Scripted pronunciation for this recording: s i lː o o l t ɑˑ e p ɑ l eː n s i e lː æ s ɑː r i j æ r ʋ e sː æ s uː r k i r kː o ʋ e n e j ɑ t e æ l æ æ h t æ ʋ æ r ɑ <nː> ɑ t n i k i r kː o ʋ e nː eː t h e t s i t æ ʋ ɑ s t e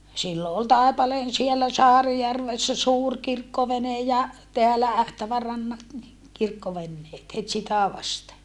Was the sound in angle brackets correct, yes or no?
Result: yes